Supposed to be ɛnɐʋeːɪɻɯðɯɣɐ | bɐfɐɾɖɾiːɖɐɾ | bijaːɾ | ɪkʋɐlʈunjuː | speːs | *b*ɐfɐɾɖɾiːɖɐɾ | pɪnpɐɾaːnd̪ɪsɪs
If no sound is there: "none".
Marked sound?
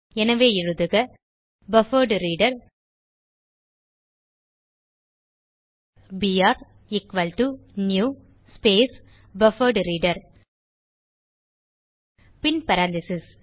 b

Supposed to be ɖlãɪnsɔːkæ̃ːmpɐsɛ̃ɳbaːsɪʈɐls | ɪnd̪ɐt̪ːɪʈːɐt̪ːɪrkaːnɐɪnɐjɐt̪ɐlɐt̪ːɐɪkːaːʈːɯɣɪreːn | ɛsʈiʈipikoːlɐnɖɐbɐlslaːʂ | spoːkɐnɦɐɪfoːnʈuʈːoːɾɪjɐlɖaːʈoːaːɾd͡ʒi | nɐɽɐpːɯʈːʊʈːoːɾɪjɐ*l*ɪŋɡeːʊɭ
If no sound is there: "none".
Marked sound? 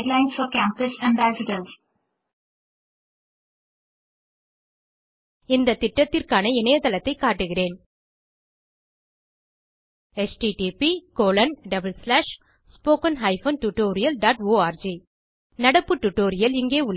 l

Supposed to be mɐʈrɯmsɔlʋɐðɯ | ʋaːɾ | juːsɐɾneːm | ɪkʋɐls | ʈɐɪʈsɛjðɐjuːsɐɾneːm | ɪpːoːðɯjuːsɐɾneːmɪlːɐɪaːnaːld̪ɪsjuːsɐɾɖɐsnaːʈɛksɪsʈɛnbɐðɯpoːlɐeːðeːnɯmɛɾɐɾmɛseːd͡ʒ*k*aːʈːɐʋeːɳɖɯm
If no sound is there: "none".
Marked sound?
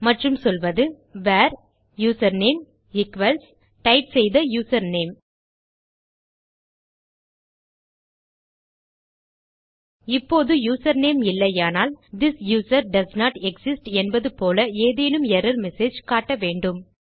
k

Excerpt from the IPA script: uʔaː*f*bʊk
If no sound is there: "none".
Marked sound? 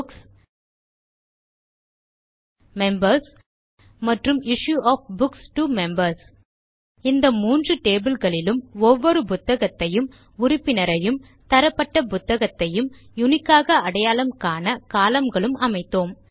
f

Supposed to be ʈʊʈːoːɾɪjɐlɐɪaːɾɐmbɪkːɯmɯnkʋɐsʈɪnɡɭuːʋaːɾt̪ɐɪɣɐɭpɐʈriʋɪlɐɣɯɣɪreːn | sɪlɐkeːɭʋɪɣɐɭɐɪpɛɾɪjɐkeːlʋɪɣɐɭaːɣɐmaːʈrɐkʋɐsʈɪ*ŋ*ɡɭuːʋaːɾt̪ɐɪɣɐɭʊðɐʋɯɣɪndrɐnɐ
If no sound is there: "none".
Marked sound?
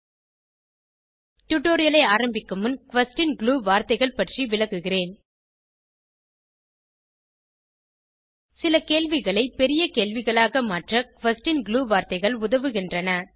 n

